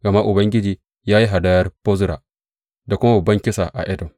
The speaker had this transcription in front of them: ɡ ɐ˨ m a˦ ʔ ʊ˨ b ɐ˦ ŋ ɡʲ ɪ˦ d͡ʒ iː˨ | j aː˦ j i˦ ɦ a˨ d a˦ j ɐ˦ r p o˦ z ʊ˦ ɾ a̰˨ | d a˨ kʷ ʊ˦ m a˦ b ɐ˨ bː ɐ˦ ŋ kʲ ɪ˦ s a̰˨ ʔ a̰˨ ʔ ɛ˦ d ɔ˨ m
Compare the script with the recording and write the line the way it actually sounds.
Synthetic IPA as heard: ɡ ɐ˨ m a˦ ʔ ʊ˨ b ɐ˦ ŋ ɡʲ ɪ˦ d͡ʒ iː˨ | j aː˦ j i˦ ɦ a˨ d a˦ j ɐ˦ r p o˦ z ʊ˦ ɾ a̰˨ | d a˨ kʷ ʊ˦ m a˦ b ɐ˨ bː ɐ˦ ŋ kʲ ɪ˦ s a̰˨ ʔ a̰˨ ʔ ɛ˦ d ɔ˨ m